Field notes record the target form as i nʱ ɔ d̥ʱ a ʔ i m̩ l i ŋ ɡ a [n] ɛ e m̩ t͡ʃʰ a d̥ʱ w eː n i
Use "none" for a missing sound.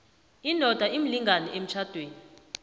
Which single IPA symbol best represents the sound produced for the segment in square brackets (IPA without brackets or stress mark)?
n